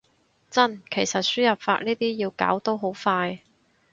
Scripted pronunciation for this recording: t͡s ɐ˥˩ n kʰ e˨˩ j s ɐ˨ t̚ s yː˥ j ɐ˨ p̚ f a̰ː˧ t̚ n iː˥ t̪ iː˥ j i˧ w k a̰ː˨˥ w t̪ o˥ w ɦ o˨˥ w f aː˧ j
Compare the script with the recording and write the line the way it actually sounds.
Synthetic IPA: t͡s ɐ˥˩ n kʰ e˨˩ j s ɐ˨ t̚ s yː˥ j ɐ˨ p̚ f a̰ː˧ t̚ n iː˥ t̪ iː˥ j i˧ w k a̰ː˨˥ w t̪ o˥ w ɦ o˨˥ w f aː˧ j